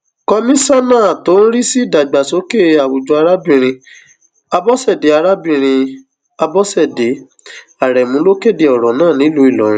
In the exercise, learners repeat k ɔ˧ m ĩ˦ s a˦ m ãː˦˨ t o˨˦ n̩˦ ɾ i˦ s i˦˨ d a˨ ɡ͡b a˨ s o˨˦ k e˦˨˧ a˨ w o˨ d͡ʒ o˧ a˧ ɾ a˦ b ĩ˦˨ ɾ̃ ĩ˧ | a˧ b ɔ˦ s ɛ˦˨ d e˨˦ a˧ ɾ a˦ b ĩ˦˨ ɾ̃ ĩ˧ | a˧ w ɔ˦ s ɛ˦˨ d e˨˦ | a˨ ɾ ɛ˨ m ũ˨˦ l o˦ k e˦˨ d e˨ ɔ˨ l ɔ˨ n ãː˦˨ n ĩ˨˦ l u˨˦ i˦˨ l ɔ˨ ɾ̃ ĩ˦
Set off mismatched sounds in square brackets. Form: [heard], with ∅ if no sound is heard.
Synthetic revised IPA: k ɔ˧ m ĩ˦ s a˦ [n] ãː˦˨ t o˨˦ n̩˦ ɾ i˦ s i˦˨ d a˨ ɡ͡b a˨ s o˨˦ k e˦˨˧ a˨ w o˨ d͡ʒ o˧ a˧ ɾ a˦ b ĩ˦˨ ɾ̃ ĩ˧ | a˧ b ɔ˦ s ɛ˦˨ d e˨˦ a˧ ɾ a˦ b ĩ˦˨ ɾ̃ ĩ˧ | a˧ [b] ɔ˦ s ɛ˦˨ d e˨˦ | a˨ ɾ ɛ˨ m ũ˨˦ l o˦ k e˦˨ d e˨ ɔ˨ [ɾ] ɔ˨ n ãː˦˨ n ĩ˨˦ l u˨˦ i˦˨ l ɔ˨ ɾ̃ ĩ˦